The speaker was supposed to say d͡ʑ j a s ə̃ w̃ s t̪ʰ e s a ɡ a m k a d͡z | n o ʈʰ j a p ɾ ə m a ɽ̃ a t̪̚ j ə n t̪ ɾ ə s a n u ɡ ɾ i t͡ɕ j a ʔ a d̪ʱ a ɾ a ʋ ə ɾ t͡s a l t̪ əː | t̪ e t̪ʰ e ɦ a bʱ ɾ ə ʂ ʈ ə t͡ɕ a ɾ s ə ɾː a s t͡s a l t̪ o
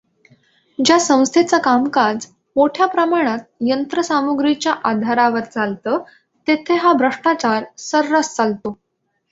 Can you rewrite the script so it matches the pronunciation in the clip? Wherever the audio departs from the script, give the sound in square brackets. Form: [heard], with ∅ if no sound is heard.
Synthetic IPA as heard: d͡ʑ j a s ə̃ w̃ s t̪ʰ e [t͡s] a [k] a m k a d͡z | [m] o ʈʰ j a p ɾ ə m a ɽ̃ a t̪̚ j ə n t̪ ɾ ə s a [m] u ɡ ɾ i t͡ɕ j a ʔ a d̪ʱ a ɾ a ʋ ə ɾ t͡s a l t̪ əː | t̪ e t̪ʰ e ɦ a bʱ ɾ ə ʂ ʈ [a] t͡ɕ a ɾ s ə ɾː a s t͡s a l t̪ o